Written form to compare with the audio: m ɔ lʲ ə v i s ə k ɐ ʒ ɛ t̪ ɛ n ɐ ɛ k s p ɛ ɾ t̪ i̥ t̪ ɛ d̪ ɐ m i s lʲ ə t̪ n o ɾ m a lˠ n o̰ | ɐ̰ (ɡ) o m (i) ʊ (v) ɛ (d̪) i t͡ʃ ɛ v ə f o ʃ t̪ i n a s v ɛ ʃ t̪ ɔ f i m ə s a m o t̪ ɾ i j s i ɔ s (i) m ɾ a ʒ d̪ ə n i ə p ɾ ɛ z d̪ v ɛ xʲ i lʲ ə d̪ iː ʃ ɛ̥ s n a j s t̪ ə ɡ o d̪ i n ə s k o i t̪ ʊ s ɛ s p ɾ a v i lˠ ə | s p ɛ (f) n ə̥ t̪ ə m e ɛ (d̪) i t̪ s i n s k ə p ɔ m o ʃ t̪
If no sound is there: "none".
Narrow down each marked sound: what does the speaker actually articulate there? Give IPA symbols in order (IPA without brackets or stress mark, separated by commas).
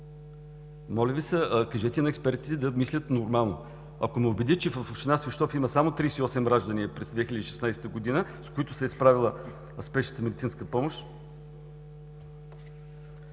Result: k, ɛ, b, d̪, ɛ, ʃ, d̪